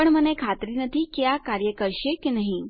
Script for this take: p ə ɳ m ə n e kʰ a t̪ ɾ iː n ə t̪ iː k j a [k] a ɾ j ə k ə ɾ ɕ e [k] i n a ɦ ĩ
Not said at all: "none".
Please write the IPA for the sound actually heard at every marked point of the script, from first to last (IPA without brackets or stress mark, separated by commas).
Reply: k, k